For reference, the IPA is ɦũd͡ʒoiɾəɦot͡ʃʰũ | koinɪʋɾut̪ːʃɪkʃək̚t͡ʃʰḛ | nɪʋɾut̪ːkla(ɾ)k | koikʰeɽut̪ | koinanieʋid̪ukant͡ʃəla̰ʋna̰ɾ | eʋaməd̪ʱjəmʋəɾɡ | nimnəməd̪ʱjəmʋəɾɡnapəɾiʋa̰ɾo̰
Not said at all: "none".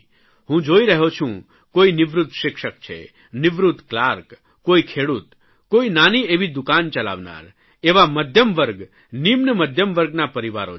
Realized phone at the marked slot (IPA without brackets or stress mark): ɾ